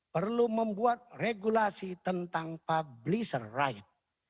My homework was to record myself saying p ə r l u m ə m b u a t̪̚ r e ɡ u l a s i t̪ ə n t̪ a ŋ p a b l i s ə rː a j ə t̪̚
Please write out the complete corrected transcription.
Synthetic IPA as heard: p ə r l u m ə m b u a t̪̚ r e ɡ u l a s i t̪ ə n t̪ a ŋ p a b l i s ə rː a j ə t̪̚